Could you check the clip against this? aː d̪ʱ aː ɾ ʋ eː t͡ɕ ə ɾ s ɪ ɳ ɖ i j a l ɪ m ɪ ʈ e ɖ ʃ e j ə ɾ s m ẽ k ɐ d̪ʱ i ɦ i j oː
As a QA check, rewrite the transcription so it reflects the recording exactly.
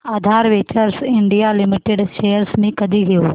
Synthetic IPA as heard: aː d̪ʱ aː ɾ ʋ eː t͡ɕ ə ɾ s ɪ ɳ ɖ i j a l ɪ m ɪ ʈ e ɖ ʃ e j ə ɾ s m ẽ k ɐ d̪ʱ i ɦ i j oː